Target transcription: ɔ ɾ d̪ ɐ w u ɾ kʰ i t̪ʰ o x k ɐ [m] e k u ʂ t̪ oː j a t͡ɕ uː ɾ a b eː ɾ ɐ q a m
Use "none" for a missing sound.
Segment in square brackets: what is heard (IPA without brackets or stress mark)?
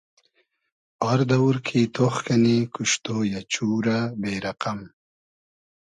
n